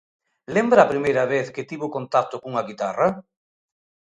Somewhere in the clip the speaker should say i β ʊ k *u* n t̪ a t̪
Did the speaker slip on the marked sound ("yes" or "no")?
yes